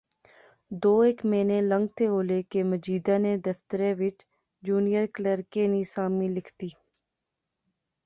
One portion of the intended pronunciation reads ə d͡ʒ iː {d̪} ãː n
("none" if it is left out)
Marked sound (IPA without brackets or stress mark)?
d̪